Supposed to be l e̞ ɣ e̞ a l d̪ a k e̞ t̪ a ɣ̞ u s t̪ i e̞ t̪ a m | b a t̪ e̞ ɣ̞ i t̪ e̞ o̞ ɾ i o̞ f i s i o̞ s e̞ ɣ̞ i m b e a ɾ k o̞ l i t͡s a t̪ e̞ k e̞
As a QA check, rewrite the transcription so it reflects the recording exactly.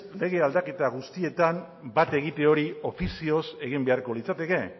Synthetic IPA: l e̞ ɣ e̞ a l d̪ a k e̞ t̪ a ɣ̞ u s t̪ i e̞ t̪ a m | b a t̪ e̞ ɣ̞ i t̪ e̞ o̞ ɾ i o̞ f i s i o̞ s e̞ ɣ̞ i m b e a ɾ k o̞ l i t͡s a t̪ e̞ k e̞

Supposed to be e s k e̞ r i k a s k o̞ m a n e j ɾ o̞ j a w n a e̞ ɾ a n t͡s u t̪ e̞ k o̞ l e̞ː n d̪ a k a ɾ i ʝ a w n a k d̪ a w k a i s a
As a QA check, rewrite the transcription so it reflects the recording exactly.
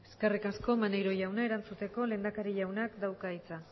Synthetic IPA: e s k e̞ r i k a s k o̞ m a n e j ɾ o̞ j a w n a e̞ ɾ a n t͡s u t̪ e̞ k o̞ l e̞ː n d̪ a k a ɾ i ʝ a w n a k d̪ a w k a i t͡s a

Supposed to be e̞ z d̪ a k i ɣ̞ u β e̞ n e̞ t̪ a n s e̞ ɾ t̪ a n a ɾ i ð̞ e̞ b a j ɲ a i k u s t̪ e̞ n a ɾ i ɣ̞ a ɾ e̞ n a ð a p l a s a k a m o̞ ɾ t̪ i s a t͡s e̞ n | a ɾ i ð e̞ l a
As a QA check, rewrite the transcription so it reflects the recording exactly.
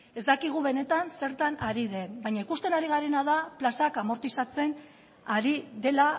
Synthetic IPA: e̞ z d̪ a k i ɣ̞ u β e̞ n e̞ t̪ a n s e̞ ɾ t̪ a n a ɾ i ð̞ e̞ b a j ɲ a i k u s t̪ e̞ n a ɾ i ɣ̞ a ɾ e̞ n a ð a p l a s a k a m o̞ ɾ t̪ i s a t͡s e̞ n | a ɾ i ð e̞ l a

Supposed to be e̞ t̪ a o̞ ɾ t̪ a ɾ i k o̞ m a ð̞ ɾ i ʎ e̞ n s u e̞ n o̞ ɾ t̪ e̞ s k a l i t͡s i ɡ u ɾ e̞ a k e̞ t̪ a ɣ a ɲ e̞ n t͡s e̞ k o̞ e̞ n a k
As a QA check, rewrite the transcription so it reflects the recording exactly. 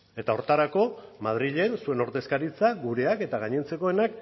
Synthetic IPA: e̞ t̪ a o̞ ɾ t̪ a ɾ a k o̞ m a ð̞ ɾ i ʎ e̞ n s u e̞ n o̞ ɾ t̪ e̞ s k a ɾ i t͡s a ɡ u ɾ e̞ a k e̞ t̪ a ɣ a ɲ e̞ n t͡s e̞ k o̞ e̞ n a k

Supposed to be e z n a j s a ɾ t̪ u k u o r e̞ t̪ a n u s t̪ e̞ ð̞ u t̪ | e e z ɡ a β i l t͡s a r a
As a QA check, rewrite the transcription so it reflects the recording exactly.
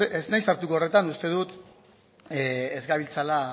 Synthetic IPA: e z n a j s a ɾ t̪ u k o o r e̞ t̪ a n u s t̪ e̞ ð̞ u t̪ | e e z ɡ a β i l t͡s a l a

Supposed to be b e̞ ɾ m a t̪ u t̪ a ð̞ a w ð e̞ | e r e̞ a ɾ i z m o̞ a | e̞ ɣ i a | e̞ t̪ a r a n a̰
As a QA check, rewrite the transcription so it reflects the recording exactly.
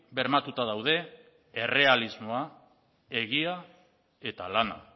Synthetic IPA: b e̞ ɾ m a t̪ u t̪ a ð̞ a w ð e̞ | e r e̞ a l i z m o̞ a | e̞ ɣ i a | e̞ t̪ a l a n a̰

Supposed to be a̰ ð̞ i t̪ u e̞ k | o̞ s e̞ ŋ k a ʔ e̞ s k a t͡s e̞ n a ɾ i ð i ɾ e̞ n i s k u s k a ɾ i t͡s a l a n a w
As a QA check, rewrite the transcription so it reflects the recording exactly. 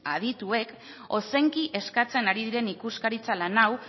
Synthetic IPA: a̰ ð̞ i t̪ u e̞ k | o̞ s e̞ ŋ k i ʔ e̞ s k a t͡s e̞ n a ɾ i ð i ɾ e̞ n i k u s k a ɾ i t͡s a l a n a w

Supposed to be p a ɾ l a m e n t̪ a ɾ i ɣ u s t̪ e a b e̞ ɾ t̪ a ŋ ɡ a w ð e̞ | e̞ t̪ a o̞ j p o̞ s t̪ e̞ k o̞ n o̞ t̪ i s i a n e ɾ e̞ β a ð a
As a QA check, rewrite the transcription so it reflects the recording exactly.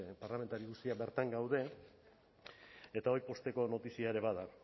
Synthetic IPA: p a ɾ l a m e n t̪ a ɾ i ɣ u s t̪ i a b e̞ ɾ t̪ a ŋ ɡ a w ð e̞ | e̞ t̪ a o̞ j p o̞ s t̪ e̞ k o̞ n o̞ t̪ i s i a e ɾ e̞ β a ð a

